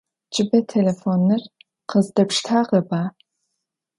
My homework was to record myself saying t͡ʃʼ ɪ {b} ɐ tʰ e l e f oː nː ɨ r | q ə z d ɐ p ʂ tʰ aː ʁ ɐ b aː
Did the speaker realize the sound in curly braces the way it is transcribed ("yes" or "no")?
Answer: yes